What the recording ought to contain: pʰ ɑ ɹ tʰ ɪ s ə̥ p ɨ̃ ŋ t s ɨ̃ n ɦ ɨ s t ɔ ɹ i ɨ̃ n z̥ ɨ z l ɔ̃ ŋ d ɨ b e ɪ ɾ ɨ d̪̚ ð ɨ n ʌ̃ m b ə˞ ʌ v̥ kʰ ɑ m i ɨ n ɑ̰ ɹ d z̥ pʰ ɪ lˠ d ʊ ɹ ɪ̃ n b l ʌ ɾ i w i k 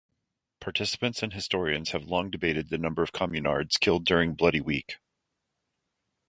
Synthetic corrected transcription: pʰ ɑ ɹ tʰ ɪ s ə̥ p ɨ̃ n t s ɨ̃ n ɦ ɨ s t ɔ ɹ i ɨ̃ n z̥ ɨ v l ɔ̃ ŋ d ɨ b e ɪ ɾ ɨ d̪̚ ð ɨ n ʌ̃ m b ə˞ ʌ v̥ kʰ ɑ m j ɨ n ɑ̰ ɹ d z̥ kʰ ɪ lˠ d ʊ ɹ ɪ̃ ŋ b l ʌ ɾ i w i k